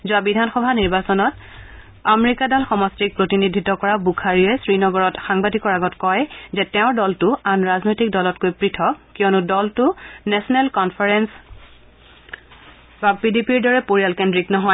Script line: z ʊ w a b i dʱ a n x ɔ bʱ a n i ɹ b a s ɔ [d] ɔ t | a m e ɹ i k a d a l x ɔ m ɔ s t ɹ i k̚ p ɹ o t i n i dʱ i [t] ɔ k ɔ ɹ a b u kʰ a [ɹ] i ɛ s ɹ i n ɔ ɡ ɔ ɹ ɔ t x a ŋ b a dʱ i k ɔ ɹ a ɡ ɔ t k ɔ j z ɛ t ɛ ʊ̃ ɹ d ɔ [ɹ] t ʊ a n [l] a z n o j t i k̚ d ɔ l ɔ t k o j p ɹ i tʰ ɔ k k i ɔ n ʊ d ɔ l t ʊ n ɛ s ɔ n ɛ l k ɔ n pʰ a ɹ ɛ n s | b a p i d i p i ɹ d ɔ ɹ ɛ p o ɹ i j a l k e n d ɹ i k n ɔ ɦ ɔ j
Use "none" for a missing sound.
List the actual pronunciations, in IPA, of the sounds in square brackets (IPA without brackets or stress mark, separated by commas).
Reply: n, t, ɹ, l, ɹ